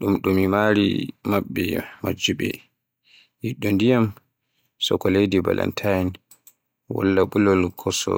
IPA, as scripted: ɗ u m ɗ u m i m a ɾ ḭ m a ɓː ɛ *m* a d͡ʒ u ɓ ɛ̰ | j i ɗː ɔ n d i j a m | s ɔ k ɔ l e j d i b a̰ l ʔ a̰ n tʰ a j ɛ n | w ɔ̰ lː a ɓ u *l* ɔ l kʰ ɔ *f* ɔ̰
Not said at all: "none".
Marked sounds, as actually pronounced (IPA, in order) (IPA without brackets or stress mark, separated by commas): m, l, s